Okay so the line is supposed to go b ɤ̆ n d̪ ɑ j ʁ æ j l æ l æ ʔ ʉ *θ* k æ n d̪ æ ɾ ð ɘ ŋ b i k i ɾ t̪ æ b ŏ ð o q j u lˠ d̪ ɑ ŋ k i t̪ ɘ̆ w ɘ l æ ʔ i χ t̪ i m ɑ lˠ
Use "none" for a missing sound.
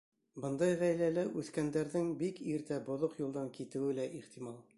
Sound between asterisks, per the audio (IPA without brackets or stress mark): θ